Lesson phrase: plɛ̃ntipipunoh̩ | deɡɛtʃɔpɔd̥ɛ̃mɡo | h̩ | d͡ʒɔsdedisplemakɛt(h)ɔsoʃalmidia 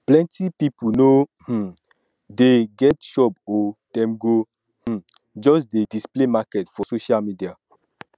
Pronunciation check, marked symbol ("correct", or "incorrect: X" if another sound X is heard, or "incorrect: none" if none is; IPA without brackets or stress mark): incorrect: f